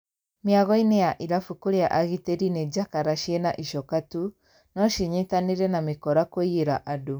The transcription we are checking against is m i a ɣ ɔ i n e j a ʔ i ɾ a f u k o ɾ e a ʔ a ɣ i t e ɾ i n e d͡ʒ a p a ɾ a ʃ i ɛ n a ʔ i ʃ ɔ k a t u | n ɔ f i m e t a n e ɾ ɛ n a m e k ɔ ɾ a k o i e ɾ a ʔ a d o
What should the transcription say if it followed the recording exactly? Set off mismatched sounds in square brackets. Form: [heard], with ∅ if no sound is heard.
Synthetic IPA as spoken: m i a ɣ ɔ i n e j a ʔ i ɾ a f u k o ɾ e a ʔ a ɣ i t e ɾ i n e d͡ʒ a [k] a ɾ a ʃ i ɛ n a ʔ i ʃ ɔ k a t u | n ɔ [ʃ] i [ɲ] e t a n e ɾ ɛ n a m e k ɔ ɾ a k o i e ɾ a ʔ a d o